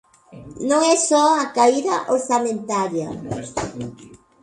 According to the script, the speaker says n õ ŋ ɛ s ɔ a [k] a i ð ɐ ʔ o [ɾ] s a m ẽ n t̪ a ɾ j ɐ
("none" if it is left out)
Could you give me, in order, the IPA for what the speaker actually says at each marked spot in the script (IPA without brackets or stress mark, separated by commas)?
k, ɾ